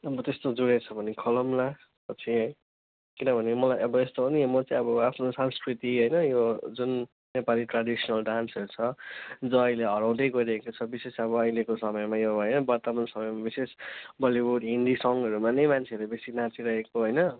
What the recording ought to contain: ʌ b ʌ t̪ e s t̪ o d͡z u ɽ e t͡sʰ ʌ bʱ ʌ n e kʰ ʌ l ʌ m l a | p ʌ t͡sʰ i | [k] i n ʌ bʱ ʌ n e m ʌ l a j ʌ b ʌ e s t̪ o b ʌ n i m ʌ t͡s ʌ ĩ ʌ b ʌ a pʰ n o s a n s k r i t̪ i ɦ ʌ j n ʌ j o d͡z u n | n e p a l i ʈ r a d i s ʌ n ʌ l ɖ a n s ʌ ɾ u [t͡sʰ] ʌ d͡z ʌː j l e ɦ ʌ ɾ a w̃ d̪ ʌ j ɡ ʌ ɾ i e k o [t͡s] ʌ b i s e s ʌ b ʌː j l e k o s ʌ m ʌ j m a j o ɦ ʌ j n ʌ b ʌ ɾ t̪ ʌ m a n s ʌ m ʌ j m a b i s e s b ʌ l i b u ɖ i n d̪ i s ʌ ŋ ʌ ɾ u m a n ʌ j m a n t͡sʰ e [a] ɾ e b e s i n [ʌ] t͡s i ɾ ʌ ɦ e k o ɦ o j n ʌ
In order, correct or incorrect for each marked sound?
correct, correct, incorrect, incorrect, incorrect

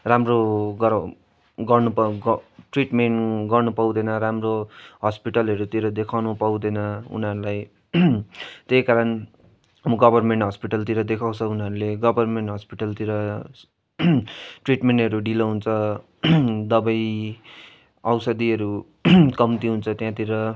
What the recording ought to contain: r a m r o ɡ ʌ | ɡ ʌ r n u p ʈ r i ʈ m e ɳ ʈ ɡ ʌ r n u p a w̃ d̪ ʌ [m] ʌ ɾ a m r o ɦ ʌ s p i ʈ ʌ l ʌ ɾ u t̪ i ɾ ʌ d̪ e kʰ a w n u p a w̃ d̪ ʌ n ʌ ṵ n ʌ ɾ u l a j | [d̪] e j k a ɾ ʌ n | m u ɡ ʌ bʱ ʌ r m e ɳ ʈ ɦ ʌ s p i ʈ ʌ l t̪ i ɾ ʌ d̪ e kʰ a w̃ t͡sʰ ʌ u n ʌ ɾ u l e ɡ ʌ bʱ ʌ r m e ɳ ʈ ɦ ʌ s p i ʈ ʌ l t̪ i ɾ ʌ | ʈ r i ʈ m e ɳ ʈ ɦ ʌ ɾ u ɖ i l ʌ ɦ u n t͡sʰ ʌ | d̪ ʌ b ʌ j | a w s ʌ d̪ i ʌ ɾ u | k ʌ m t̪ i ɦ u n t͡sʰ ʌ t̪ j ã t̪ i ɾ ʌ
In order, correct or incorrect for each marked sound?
incorrect, incorrect

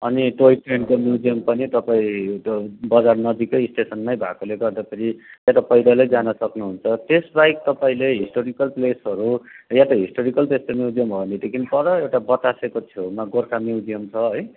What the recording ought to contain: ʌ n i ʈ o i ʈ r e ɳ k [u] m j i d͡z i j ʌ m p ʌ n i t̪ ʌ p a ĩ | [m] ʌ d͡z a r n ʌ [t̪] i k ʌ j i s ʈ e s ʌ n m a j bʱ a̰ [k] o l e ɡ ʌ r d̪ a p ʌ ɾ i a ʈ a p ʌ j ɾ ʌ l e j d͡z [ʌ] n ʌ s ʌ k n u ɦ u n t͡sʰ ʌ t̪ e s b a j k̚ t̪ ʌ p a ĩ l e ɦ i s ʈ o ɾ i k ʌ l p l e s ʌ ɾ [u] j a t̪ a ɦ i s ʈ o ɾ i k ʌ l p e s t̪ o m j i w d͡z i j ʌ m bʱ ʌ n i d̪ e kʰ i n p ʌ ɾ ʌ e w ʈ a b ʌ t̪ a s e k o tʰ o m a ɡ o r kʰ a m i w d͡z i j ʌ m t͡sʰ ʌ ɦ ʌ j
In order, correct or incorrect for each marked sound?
incorrect, incorrect, incorrect, correct, incorrect, correct

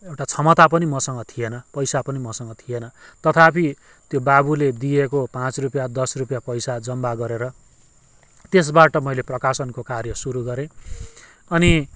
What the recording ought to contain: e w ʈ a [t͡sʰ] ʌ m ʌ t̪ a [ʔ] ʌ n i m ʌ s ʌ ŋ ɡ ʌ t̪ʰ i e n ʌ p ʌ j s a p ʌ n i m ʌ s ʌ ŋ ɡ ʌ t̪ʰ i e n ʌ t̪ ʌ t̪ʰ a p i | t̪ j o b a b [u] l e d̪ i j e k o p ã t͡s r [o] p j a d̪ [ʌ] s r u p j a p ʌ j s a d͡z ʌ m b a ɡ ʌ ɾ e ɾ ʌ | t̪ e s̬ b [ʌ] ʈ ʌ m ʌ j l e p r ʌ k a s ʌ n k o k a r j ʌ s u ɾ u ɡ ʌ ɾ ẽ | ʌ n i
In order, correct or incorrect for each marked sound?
correct, incorrect, correct, incorrect, correct, incorrect

